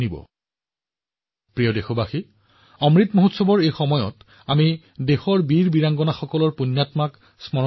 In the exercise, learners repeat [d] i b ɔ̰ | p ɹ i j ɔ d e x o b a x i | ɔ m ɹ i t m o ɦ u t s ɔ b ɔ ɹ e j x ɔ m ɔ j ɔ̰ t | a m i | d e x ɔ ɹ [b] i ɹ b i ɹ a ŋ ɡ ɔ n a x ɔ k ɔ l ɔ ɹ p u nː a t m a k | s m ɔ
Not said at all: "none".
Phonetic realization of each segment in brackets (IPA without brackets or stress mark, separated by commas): n, b